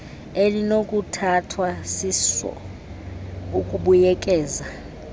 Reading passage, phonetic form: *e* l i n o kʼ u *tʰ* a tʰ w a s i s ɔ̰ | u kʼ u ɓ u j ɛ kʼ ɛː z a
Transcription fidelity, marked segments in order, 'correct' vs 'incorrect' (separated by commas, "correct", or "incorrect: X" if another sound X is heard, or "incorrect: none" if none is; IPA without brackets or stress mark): correct, correct